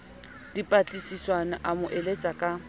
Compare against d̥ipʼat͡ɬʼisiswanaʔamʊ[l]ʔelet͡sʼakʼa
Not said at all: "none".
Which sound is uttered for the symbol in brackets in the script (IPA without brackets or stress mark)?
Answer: none